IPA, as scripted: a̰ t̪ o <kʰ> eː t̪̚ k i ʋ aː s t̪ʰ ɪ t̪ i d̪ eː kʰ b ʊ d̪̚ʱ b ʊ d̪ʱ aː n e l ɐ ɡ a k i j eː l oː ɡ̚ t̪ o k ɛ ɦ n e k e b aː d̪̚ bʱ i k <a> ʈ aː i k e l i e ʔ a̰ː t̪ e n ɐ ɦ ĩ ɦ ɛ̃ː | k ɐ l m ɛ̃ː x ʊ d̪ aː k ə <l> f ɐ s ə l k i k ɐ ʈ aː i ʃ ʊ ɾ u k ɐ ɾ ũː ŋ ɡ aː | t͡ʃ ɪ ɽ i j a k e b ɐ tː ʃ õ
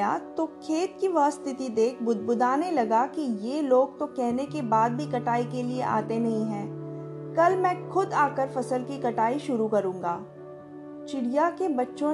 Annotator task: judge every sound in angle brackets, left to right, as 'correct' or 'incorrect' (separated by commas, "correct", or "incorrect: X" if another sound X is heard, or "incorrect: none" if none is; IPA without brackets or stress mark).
correct, incorrect: ɐ, incorrect: ɾ